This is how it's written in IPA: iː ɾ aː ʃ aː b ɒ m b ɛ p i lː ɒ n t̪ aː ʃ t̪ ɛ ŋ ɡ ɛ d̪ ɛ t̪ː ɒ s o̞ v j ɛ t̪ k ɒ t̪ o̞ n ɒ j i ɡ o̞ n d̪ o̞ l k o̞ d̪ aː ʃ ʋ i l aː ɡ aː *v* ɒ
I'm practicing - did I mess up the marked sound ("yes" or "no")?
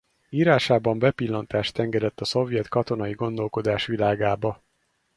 yes